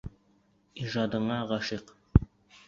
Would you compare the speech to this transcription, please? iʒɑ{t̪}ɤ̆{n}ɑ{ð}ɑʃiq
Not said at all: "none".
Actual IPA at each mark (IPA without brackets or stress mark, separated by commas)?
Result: d̪, ɴ, ʁ